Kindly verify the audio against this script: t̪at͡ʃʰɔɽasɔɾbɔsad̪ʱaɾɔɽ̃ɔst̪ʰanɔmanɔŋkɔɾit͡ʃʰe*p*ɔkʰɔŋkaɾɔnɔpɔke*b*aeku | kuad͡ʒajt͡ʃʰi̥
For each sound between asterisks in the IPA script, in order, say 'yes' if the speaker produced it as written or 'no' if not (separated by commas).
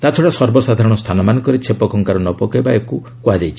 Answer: yes, yes